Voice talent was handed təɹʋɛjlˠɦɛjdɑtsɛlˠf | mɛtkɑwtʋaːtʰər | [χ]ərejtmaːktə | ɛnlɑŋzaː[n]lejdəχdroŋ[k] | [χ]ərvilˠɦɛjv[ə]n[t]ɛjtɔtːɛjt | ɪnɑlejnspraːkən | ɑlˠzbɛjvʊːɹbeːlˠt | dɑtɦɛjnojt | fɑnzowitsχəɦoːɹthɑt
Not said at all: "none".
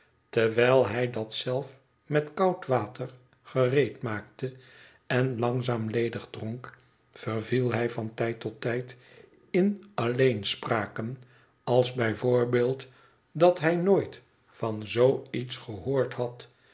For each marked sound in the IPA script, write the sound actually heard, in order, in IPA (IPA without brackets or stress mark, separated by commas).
χ, m, k, f, ɑ, t